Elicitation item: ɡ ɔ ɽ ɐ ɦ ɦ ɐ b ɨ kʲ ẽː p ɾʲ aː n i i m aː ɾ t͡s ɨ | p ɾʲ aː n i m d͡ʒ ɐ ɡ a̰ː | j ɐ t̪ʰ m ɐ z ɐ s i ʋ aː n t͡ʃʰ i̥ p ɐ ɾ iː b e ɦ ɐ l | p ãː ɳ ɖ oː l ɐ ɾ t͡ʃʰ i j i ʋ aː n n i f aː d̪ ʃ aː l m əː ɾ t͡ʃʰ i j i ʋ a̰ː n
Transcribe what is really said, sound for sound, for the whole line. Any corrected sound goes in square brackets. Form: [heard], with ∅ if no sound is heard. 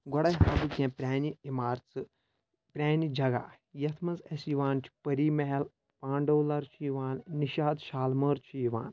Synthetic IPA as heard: ɡ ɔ ɽ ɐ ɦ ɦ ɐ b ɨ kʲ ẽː p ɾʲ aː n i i m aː ɾ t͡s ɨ | p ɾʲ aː n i [∅] d͡ʒ ɐ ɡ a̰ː | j ɐ t̪ʰ m ɐ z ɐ s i ʋ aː n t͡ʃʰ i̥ p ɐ ɾ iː [m] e ɦ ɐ l | p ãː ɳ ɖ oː l ɐ ɾ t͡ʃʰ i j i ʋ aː n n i [ʃ] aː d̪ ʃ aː l m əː ɾ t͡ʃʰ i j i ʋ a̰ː n